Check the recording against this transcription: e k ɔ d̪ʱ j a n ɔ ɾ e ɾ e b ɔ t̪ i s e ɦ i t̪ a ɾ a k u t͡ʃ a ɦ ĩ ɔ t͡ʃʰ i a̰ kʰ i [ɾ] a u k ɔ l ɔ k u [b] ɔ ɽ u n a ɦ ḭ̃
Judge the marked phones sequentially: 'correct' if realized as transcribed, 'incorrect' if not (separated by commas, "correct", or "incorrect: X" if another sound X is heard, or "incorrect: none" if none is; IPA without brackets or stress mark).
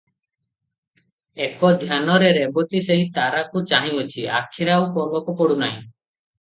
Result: correct, incorrect: p